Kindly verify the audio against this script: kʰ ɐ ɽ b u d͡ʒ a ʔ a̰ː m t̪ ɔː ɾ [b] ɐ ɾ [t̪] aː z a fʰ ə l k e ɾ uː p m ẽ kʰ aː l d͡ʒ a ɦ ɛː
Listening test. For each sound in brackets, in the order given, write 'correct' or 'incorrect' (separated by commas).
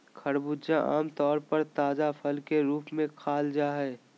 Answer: incorrect, correct